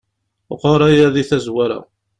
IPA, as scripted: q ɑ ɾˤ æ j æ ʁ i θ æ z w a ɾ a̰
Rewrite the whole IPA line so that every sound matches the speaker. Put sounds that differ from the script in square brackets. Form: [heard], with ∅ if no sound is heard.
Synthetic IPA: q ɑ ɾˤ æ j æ [ð] i θ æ z w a ɾ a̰